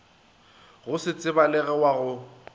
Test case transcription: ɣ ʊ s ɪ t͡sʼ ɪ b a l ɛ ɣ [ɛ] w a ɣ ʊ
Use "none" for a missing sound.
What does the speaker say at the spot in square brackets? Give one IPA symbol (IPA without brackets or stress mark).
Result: ɛ